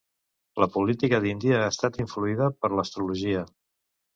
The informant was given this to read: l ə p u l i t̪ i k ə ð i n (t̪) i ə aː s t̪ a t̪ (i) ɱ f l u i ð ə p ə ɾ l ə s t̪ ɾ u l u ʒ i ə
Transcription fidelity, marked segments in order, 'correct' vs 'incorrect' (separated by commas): incorrect, correct